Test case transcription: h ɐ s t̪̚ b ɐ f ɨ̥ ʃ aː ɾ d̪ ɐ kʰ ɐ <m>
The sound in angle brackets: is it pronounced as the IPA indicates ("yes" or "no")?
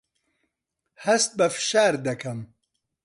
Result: yes